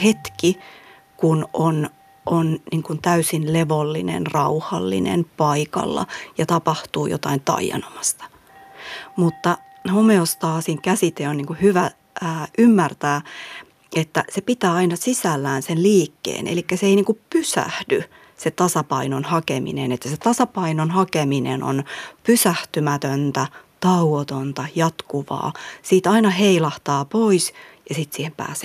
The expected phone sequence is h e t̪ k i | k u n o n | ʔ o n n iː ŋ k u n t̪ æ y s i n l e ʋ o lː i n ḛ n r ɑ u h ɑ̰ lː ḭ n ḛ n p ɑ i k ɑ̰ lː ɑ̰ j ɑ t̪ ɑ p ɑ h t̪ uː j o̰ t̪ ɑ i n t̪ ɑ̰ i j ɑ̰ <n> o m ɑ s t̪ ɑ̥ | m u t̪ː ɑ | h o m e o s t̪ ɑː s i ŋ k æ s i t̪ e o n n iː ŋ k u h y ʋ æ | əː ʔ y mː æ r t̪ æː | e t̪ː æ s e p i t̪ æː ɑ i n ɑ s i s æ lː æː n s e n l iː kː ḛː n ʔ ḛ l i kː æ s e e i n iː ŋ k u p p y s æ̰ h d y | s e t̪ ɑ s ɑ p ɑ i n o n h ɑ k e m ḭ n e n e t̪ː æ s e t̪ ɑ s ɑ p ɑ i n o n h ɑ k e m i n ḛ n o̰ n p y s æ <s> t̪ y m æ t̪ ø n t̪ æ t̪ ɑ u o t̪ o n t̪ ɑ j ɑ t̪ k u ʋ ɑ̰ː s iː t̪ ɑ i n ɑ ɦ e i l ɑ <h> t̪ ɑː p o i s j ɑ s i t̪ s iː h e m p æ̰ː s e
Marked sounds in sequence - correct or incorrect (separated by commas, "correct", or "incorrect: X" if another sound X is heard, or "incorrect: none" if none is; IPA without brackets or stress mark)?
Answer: correct, incorrect: h, correct